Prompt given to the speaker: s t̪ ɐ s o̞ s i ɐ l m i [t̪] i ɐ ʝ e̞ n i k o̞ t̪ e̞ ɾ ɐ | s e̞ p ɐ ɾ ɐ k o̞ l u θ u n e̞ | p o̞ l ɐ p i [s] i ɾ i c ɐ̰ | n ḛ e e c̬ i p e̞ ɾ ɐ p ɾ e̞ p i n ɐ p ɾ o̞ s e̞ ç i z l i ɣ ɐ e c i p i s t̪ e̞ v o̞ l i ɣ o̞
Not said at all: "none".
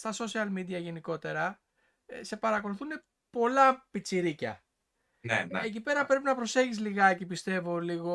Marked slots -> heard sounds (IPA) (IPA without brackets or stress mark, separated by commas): d̪, t͡s